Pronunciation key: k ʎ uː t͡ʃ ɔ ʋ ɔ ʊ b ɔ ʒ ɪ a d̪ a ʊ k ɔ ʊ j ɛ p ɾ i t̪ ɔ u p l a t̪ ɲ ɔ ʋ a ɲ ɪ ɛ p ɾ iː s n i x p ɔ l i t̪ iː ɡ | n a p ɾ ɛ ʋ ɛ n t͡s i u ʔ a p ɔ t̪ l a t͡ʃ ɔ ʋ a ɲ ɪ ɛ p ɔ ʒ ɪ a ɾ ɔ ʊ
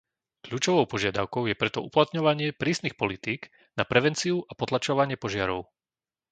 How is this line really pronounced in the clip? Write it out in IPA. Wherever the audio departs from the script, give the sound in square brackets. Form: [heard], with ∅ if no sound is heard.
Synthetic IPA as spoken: k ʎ uː t͡ʃ ɔ ʋ ɔ ʊ [p] ɔ ʒ ɪ a d̪ a ʊ k ɔ ʊ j ɛ p ɾ [ɛ] t̪ ɔ u p l a t̪ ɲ ɔ ʋ a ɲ ɪ ɛ p ɾ iː s n i x p ɔ l i t̪ iː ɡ | n a p ɾ ɛ ʋ ɛ n t͡s i u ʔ a p ɔ t̪ l a t͡ʃ ɔ ʋ a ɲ ɪ ɛ p ɔ ʒ ɪ a ɾ ɔ ʊ